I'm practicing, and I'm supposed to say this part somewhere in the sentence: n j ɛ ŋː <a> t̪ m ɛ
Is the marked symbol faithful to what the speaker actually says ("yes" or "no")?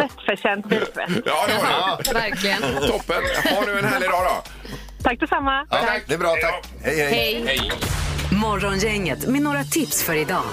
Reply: no